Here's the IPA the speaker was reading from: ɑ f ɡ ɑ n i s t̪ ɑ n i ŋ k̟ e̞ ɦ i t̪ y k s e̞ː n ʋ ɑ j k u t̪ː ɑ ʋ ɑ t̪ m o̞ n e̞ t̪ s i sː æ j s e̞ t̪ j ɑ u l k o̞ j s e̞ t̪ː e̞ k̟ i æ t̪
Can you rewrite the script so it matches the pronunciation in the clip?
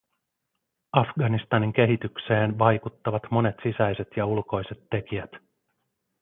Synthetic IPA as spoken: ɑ f ɡ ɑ n i s t̪ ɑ n i ŋ k̟ e̞ ɦ i t̪ y k s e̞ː n ʋ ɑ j k u t̪ː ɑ ʋ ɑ t̪ m o̞ n e̞ t̪ s i s æ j s e̞ t̪ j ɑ u l k o̞ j s e̞ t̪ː e̞ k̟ i æ t̪